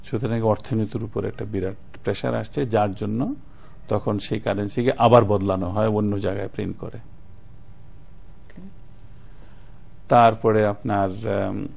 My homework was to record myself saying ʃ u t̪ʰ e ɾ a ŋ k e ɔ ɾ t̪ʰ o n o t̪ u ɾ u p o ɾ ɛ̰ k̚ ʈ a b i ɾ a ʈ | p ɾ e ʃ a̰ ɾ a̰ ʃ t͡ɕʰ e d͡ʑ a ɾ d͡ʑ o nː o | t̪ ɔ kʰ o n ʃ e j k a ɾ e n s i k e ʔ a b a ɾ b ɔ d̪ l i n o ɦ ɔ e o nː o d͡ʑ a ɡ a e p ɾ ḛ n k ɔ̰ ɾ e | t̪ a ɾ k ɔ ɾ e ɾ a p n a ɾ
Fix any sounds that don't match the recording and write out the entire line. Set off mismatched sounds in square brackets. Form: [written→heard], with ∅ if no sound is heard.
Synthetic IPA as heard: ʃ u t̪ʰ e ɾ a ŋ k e ɔ ɾ t̪ʰ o n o t̪ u ɾ u p o ɾ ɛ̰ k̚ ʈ a b i ɾ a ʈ | p ɾ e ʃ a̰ ɾ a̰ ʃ t͡ɕʰ e d͡ʑ a ɾ d͡ʑ o nː o | t̪ ɔ kʰ o n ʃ e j k a ɾ e n s i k e ʔ a b a ɾ b ɔ d̪ l [i→a] n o ɦ ɔ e o nː o d͡ʑ a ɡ a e p ɾ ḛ n k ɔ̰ ɾ e | t̪ a ɾ [k→p] ɔ ɾ e [ɾ→∅] a p n a ɾ